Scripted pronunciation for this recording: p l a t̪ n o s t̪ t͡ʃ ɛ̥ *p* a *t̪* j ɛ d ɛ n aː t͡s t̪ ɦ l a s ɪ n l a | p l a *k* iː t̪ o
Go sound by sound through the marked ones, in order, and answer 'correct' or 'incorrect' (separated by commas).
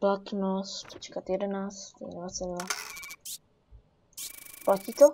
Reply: incorrect, correct, incorrect